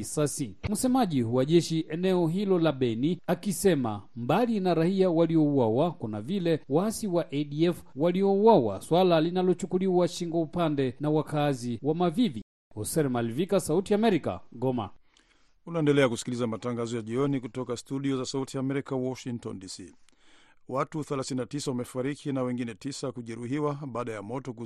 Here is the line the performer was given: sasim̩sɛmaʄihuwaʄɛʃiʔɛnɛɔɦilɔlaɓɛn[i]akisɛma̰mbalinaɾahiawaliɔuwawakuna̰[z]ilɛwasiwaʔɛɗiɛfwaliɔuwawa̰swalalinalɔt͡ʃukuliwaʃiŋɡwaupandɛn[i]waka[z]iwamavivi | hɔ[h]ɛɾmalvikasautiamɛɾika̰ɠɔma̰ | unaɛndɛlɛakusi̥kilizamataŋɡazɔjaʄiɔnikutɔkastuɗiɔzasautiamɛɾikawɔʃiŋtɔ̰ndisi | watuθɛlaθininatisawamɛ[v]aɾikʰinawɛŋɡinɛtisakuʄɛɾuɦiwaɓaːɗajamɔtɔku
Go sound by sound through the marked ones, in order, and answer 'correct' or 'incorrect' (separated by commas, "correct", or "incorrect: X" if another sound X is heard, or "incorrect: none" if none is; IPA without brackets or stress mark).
correct, incorrect: v, incorrect: a, correct, incorrect: s, incorrect: f